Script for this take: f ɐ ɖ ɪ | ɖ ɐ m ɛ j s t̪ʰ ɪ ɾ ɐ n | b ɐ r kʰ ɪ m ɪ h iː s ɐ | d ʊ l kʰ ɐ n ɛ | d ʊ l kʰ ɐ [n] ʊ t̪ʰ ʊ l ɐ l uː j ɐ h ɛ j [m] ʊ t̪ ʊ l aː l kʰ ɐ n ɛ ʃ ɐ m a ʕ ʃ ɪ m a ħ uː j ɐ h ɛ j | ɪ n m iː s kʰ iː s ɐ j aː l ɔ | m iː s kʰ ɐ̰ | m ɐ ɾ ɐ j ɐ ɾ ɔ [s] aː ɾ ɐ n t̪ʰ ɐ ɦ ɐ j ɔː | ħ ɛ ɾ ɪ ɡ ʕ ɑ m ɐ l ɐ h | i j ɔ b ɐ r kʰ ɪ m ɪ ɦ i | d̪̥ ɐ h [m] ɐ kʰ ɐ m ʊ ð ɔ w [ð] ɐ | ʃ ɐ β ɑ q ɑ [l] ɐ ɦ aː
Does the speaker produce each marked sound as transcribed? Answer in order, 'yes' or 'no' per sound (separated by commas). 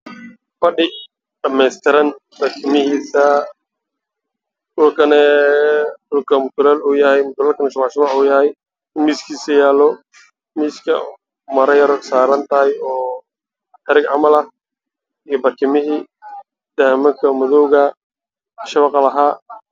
no, yes, yes, yes, no, yes